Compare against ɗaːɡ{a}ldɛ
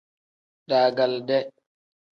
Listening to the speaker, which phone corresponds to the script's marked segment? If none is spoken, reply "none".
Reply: a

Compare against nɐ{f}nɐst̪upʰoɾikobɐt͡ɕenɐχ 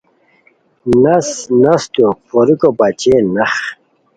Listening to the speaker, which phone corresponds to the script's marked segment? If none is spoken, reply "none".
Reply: s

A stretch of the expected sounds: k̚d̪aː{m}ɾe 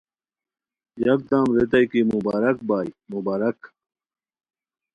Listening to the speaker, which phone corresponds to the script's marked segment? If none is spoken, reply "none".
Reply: m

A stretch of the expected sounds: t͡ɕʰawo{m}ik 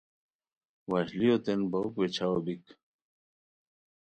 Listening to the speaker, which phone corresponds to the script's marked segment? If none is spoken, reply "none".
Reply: b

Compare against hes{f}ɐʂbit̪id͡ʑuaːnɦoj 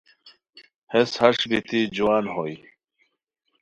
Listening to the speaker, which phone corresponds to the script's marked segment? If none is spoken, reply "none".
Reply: h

